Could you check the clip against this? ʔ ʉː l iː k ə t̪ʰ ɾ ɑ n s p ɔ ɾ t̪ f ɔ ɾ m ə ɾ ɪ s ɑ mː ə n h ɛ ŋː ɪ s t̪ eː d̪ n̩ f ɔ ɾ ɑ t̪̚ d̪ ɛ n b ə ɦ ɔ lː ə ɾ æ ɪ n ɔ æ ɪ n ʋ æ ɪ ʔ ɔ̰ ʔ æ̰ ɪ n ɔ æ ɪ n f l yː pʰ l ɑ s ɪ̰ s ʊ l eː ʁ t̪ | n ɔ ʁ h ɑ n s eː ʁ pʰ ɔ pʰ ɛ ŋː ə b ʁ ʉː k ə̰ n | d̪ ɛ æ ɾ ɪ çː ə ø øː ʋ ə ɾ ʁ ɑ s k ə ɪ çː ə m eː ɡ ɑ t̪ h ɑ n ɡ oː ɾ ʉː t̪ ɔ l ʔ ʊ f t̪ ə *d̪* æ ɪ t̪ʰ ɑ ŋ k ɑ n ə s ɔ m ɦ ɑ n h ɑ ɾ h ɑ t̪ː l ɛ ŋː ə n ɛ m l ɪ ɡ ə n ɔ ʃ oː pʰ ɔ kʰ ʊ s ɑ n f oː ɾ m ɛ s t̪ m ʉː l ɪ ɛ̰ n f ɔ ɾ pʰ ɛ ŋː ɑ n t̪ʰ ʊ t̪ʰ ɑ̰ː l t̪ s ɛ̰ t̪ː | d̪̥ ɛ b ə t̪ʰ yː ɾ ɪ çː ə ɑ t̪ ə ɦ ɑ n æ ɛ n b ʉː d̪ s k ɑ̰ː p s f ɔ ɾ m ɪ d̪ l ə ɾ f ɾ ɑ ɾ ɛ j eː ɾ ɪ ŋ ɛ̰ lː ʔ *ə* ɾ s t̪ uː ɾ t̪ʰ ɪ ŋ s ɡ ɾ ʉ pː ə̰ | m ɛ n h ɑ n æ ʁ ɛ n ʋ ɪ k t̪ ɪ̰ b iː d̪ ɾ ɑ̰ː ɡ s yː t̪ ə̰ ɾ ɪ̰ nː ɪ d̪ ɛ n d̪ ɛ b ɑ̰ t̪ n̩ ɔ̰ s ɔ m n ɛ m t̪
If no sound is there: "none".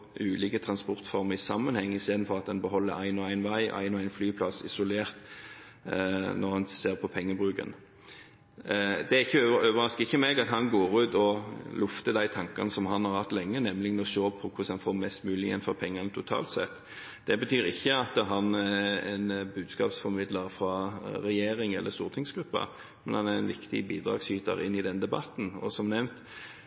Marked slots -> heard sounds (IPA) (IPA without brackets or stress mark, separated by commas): d̪, ə